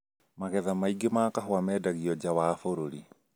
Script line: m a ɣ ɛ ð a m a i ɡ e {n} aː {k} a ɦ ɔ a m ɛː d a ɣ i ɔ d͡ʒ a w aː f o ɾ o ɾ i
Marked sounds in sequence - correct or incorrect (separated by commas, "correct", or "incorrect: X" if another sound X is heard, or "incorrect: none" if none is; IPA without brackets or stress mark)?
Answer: incorrect: m, correct